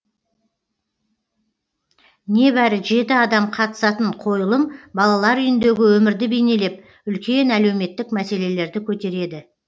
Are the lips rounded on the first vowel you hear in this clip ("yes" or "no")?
no